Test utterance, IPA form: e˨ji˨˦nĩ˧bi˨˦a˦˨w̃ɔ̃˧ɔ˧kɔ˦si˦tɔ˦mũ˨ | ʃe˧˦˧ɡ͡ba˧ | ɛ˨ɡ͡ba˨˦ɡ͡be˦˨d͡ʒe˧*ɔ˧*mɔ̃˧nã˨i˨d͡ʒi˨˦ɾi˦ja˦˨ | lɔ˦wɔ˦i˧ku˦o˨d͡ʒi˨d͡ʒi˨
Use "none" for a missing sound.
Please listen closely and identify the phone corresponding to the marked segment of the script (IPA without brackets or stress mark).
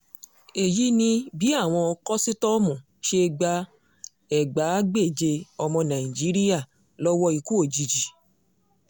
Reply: ɔ˧